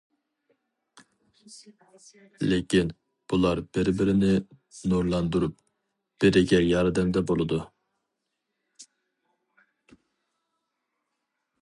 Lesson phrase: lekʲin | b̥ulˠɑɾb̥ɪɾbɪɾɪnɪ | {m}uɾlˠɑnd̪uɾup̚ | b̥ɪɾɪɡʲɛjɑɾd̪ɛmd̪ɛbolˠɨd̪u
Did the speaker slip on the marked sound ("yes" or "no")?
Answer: yes